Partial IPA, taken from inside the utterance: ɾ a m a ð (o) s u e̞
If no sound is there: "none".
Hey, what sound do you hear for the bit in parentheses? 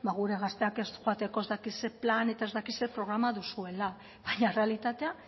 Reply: u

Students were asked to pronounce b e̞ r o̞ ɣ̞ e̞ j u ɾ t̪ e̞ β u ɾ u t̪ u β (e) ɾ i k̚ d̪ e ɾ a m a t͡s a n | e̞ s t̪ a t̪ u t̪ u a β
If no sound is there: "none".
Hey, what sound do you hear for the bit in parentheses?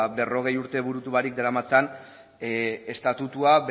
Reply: a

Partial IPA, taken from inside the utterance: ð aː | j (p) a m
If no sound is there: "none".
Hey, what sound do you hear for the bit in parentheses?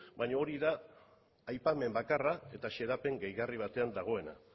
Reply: p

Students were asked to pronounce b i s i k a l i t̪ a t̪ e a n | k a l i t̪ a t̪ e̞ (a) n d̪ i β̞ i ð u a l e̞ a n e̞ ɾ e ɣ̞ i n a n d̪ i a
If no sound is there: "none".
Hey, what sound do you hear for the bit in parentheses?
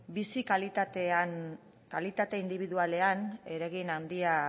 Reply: i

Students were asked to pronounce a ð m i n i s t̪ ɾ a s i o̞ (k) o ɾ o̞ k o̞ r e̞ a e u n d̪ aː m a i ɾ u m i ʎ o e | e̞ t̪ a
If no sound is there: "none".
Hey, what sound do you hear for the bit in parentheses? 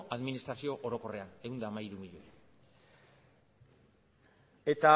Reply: ʔ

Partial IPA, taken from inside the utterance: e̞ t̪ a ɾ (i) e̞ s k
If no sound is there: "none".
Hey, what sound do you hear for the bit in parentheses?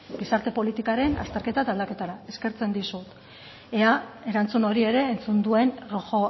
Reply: a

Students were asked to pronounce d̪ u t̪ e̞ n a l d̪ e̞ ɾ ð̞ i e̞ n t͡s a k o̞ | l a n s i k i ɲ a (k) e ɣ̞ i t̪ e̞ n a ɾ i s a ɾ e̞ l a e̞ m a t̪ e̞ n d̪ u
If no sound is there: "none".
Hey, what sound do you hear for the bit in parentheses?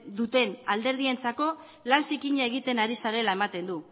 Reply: none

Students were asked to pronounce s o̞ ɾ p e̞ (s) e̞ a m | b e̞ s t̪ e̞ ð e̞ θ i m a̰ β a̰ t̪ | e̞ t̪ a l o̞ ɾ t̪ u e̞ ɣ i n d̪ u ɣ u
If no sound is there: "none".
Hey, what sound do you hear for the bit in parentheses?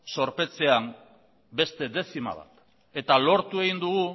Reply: t͡s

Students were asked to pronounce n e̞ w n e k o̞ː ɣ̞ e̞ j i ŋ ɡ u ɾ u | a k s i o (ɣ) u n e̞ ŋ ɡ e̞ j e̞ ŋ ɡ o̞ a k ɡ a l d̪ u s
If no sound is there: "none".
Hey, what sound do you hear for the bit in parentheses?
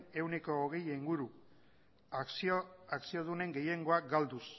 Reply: ð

